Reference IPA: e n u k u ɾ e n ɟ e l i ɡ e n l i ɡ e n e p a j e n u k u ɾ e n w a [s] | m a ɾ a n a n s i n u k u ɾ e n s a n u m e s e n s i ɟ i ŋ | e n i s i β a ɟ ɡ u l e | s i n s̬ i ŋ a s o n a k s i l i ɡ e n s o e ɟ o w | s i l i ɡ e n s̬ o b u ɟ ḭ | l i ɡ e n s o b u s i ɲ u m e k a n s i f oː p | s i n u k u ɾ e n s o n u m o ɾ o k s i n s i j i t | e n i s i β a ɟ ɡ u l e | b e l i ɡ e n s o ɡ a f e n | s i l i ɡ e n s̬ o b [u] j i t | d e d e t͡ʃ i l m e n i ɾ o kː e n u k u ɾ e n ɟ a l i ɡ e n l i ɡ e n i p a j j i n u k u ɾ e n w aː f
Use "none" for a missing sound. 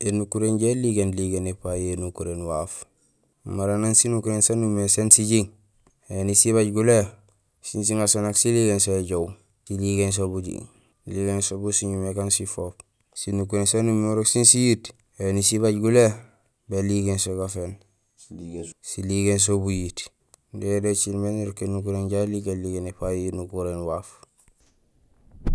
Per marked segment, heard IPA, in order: f, u

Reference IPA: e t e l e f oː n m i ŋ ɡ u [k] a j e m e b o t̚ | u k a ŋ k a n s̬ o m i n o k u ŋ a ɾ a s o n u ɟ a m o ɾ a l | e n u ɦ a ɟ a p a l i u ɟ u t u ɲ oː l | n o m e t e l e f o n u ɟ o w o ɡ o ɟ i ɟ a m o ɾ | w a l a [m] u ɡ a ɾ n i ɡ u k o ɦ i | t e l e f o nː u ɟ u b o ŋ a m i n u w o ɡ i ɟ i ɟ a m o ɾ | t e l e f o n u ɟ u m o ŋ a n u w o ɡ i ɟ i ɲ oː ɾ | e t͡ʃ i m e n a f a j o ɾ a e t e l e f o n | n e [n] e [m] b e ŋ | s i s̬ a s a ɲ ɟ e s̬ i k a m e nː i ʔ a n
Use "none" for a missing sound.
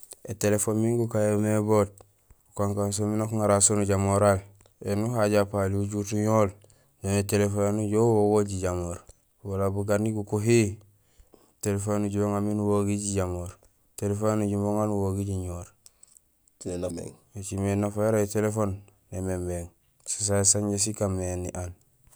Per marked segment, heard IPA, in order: k, b, m, m

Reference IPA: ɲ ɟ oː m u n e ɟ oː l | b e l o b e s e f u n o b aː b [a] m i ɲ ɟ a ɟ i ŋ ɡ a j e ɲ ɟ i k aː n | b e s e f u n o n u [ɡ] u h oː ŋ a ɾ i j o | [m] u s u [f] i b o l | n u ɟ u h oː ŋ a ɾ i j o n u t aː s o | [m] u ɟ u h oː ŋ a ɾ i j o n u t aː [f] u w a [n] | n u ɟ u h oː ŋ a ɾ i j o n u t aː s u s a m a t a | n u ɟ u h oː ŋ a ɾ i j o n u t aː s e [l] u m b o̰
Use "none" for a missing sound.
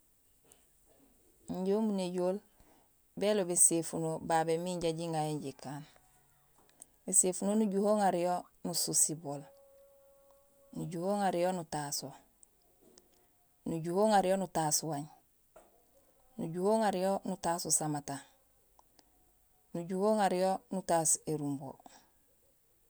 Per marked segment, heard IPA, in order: e, ɟ, n, s, n, s, ɲ, ɾ

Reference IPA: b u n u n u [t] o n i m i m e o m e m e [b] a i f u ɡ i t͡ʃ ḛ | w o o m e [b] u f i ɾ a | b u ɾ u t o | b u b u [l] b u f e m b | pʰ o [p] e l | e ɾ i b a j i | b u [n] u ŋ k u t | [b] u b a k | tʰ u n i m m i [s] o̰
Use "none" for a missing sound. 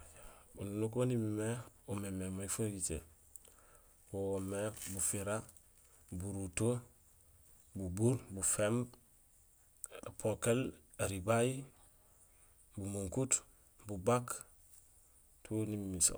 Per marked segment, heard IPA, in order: k, m, b, ɾ, k, m, b, s

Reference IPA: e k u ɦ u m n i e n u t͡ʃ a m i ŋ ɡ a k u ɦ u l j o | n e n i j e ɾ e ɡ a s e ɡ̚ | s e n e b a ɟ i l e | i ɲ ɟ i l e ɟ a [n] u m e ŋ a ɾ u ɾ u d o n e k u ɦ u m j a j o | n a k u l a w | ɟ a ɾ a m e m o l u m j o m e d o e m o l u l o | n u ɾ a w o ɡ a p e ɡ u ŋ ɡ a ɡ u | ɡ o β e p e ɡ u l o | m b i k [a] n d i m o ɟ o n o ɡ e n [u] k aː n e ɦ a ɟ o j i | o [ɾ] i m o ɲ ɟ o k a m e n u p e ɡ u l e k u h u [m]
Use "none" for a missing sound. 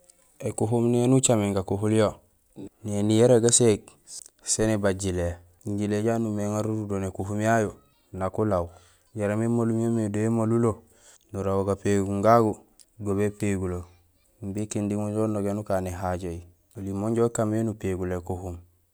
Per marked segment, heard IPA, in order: n, i, u, l, m

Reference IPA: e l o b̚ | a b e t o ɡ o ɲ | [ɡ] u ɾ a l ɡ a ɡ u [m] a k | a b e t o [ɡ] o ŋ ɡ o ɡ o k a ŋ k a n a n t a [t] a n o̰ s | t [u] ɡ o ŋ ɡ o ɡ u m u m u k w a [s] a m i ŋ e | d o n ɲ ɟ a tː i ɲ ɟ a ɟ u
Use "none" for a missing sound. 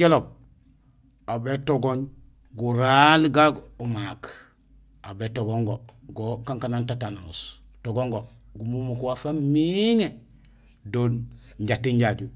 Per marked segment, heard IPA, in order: ɡ, m, ɡ, t, o, f

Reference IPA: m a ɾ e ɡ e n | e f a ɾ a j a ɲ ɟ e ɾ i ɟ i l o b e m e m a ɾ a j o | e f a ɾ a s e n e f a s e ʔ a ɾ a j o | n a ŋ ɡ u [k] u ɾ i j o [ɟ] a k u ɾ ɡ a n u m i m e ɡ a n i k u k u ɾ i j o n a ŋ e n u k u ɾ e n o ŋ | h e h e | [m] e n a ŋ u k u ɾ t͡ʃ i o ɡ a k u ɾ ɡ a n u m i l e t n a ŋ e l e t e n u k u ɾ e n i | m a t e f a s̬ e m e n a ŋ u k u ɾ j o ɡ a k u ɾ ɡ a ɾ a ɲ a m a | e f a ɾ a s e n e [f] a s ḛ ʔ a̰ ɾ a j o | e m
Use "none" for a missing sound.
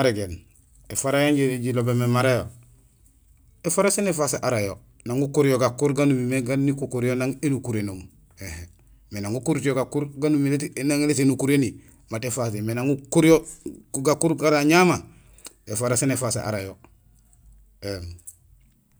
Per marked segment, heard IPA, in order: k, ɡ, m, f

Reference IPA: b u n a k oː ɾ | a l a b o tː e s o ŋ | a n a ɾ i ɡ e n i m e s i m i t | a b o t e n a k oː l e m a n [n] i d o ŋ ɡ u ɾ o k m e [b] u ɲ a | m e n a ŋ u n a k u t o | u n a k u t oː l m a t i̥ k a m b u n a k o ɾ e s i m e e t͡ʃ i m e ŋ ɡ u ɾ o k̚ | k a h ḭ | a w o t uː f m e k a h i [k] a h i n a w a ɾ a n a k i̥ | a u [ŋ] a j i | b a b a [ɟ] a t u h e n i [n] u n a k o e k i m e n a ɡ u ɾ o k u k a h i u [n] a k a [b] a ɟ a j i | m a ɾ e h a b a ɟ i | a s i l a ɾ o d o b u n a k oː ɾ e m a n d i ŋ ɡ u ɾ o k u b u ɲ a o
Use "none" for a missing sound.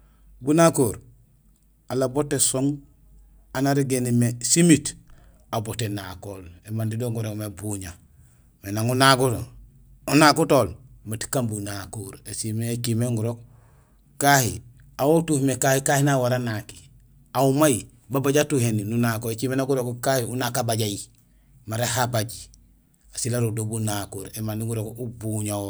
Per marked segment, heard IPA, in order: d, b, k, m, ɟ, n, n, b

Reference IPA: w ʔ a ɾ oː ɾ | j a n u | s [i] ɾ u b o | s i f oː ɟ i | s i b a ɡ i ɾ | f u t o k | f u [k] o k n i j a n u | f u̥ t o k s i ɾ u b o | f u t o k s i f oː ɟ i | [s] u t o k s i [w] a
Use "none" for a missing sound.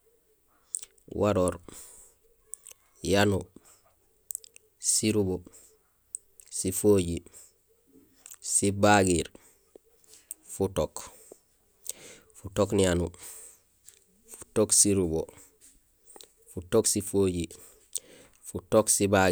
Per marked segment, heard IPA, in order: i, t, f, b

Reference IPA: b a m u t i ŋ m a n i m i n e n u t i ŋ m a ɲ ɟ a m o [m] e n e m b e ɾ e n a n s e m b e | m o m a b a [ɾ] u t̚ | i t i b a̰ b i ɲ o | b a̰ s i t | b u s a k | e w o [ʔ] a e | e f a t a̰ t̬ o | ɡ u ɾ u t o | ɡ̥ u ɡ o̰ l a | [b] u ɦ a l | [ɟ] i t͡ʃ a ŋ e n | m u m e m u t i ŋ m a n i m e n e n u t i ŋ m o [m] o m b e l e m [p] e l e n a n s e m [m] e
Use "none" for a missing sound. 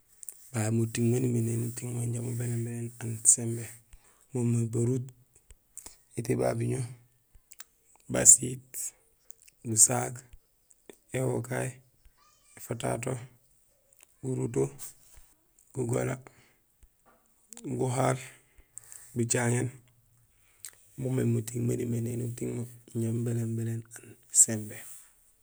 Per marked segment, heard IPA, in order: b, ɾ, k, ɡ, b, ɲ, b, b

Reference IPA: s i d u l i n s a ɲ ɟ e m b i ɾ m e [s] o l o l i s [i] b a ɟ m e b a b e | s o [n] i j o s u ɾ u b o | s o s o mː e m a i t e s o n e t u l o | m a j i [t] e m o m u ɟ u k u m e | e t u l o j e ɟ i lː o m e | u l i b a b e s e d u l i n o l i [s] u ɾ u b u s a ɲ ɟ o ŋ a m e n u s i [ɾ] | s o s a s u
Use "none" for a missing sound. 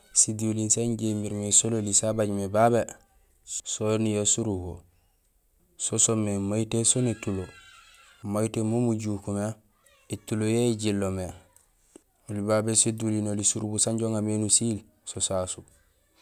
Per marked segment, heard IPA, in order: s, a, n, t, s, l

